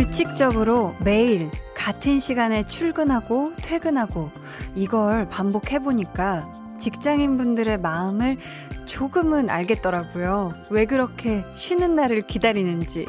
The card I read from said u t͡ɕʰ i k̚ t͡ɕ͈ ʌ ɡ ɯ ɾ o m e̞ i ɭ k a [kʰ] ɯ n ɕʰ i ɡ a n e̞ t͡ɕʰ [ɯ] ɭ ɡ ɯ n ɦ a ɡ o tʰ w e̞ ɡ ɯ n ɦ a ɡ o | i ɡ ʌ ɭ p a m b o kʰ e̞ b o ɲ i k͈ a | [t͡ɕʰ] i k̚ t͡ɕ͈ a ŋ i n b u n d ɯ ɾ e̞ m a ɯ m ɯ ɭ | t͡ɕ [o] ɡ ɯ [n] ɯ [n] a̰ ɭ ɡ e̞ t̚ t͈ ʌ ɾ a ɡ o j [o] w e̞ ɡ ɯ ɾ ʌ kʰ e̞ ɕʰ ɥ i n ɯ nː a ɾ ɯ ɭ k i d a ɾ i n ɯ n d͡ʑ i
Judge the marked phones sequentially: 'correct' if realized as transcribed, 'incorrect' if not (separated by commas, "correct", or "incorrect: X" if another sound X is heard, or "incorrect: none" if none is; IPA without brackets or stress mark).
incorrect: tʰ, incorrect: u, incorrect: t͡ɕ, correct, incorrect: m, correct, correct